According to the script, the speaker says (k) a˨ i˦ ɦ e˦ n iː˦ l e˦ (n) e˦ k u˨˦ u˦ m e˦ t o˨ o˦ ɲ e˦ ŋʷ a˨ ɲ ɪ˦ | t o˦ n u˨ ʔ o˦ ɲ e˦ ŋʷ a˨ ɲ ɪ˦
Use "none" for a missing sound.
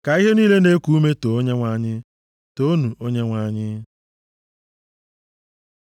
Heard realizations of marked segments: k, n

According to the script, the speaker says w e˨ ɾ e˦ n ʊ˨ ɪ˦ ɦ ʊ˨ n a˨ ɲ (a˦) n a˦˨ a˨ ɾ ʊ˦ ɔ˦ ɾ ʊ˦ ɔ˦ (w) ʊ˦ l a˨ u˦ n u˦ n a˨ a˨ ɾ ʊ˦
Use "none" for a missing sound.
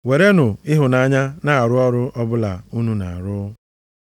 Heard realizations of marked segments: a˦, b

